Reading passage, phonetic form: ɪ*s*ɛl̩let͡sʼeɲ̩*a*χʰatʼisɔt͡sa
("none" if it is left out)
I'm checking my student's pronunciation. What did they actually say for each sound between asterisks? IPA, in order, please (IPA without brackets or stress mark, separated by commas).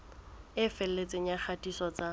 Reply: f, a